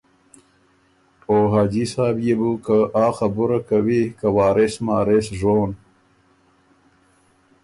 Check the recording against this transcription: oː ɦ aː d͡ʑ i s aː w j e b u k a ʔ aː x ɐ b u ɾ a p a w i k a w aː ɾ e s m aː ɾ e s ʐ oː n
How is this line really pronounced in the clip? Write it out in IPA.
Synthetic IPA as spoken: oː ɦ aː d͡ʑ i s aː b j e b u k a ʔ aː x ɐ b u ɾ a k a w i k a w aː ɾ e s m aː ɾ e s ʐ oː n